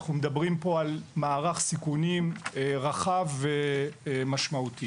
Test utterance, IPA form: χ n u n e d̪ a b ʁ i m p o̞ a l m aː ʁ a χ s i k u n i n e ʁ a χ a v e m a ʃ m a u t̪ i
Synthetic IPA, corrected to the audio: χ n u m e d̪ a b ʁ i m p o̞ a l m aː ʁ a χ s i k u n i m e ʁ a χ a v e m a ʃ m a u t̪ i